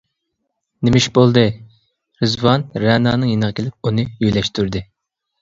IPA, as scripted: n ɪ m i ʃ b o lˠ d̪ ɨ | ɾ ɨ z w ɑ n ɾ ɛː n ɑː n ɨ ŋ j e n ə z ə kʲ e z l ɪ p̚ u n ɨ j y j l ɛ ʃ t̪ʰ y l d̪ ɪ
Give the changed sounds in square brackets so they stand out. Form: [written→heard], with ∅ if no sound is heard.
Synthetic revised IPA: n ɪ m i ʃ b o lˠ d̪ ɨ | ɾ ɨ z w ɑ n ɾ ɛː n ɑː n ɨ ŋ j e n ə [z→ʁ] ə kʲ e [z→∅] l ɪ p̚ u n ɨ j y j l ɛ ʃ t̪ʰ y [l→ɾ] d̪ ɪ